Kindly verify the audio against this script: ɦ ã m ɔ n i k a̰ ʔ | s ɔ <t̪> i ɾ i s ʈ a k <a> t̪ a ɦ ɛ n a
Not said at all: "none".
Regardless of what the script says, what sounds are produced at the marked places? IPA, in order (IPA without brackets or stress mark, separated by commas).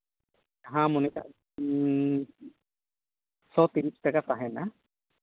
t̪, a